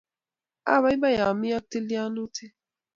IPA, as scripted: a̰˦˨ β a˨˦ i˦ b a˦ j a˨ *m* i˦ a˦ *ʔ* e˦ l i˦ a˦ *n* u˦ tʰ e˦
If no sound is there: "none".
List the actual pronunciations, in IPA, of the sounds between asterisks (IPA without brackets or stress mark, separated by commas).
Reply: m, t, n